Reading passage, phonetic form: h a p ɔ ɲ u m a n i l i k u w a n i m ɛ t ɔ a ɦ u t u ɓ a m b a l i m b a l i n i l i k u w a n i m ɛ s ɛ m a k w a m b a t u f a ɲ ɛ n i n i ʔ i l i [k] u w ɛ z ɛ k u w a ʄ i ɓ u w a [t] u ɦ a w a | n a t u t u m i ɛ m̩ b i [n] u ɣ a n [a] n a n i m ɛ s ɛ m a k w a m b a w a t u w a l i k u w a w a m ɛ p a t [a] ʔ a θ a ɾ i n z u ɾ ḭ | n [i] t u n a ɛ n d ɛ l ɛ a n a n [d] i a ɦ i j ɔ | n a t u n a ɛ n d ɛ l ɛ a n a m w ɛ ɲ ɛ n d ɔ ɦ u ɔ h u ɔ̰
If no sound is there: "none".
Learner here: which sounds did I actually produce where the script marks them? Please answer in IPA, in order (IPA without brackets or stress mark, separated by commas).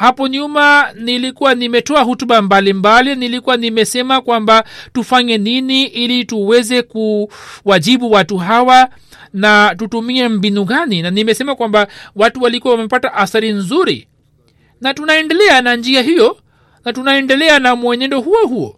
t, t, n, i, a, a, d͡ʒ